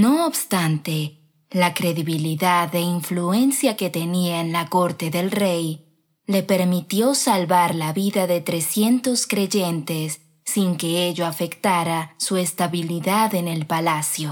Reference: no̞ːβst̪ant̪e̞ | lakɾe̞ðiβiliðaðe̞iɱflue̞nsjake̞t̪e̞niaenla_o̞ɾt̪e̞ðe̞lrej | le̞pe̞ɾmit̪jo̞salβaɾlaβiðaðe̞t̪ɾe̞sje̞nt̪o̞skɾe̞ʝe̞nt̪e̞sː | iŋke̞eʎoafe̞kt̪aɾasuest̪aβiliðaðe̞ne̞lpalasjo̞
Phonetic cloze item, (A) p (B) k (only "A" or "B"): B